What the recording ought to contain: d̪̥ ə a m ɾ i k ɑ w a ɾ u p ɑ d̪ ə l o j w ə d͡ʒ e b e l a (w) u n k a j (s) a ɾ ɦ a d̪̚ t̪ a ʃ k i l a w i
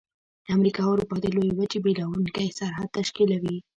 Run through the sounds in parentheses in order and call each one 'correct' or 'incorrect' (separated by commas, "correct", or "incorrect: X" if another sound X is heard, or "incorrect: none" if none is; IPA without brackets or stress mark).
correct, correct